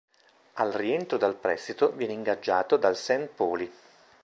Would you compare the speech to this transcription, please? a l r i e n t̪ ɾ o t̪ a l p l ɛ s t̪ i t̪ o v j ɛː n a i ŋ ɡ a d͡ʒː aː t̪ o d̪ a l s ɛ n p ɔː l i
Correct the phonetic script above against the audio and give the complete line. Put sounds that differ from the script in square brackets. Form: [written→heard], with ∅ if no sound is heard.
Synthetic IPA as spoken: a l r i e n t̪ ɾ o [t̪→d̪] a l p [l→ɾ] ɛ s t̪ i t̪ o v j ɛː n [a→e] i ŋ ɡ a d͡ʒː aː t̪ o d̪ a l s ɛ n p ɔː l i